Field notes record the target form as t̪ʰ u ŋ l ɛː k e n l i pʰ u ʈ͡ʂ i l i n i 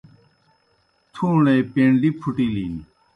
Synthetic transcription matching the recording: t̪ʰ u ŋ l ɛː p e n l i pʰ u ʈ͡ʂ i l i n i